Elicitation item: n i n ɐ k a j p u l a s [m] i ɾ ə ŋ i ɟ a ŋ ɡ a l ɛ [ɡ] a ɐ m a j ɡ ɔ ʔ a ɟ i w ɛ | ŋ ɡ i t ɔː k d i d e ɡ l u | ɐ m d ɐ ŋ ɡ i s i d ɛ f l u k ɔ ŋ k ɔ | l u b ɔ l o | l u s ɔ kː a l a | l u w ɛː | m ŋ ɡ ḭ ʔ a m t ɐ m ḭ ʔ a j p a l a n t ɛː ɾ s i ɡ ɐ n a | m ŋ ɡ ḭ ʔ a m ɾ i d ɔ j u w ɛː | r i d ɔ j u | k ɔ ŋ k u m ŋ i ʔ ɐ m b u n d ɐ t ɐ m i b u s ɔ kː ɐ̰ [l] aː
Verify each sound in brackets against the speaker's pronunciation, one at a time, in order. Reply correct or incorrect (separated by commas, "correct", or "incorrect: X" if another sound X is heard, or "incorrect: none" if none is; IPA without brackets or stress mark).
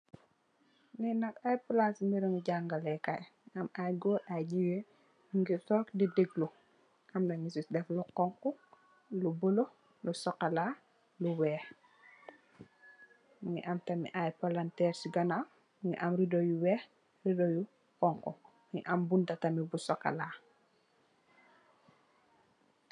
correct, incorrect: k, correct